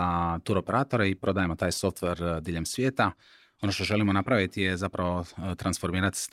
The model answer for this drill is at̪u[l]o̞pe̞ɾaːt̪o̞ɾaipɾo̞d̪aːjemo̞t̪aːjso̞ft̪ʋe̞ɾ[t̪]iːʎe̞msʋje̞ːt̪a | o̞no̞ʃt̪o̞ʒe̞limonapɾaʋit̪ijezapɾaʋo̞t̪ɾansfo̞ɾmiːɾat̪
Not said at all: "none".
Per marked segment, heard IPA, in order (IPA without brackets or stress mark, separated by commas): ɾ, d̪